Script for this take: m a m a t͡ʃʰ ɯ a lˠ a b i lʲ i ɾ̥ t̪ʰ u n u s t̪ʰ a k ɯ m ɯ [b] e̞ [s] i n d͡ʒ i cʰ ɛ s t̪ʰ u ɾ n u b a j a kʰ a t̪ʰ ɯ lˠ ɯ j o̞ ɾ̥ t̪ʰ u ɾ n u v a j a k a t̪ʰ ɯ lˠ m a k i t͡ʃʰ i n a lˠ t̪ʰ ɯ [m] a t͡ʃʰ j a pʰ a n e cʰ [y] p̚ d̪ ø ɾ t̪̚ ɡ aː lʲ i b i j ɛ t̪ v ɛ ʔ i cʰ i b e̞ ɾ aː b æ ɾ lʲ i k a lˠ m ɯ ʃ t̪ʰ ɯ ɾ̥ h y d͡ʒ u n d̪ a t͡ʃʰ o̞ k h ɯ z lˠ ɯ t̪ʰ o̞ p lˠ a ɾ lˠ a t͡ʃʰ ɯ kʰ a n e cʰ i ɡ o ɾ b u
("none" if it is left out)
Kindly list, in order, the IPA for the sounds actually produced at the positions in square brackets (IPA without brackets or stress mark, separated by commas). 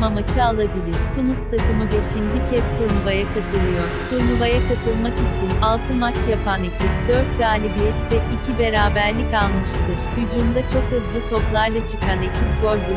b, ʃ, m, i